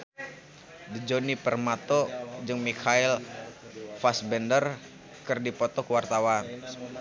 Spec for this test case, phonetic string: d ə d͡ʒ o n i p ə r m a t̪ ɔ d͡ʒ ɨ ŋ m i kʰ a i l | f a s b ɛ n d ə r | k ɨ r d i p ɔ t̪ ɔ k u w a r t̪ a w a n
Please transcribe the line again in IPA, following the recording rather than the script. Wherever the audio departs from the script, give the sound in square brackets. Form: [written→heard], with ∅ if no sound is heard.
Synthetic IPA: d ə d͡ʒ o n i p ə r m a t̪ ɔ d͡ʒ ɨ ŋ m i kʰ a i l | f a s b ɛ n d ə r | k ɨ r d i p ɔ t̪ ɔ k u w a r t̪ a w a n